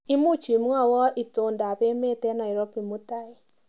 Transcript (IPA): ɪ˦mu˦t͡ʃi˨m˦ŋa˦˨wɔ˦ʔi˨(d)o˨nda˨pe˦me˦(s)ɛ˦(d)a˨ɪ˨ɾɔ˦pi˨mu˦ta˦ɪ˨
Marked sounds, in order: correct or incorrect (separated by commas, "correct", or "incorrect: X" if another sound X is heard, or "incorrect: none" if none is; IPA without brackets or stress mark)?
incorrect: t, incorrect: t, incorrect: n